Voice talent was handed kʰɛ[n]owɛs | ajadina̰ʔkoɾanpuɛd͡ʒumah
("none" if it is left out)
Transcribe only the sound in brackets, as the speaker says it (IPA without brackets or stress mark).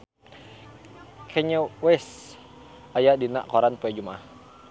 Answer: ɲ